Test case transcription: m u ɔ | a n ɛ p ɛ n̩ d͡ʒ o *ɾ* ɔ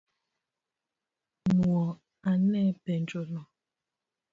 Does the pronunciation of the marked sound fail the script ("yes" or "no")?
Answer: yes